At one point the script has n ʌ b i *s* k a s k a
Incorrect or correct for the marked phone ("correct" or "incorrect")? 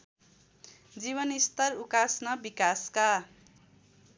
incorrect